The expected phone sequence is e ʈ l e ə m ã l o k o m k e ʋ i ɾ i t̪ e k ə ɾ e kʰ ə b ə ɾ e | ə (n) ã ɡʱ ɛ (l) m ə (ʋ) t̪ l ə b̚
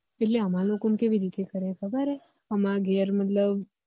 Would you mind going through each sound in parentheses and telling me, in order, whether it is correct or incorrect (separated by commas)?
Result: incorrect, incorrect, incorrect